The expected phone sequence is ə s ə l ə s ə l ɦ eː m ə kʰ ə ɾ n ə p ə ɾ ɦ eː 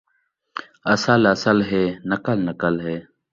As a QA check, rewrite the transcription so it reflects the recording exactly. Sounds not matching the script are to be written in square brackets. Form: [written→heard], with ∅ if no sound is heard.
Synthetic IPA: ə s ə l ə s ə l ɦ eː [m→n] ə [kʰ→k] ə [ɾ→l] n ə [p→k] ə [ɾ→l] ɦ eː